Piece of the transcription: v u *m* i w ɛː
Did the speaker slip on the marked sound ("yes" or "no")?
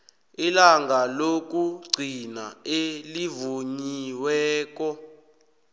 yes